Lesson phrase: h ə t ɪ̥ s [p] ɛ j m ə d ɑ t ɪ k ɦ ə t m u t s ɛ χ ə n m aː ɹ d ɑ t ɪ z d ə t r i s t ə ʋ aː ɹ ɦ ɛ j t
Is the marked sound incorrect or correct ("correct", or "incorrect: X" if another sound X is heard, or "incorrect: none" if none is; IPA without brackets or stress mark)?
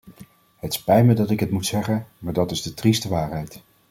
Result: correct